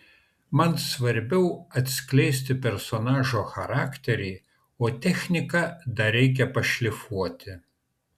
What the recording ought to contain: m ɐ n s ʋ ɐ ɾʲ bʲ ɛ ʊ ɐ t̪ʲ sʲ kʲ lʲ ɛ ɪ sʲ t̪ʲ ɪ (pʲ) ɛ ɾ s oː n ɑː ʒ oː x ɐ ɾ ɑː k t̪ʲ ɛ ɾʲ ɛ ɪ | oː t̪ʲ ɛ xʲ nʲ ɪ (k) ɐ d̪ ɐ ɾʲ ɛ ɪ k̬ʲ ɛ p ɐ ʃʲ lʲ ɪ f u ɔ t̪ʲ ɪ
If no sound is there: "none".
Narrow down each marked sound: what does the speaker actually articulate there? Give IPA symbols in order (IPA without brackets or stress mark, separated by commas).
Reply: pʲ, k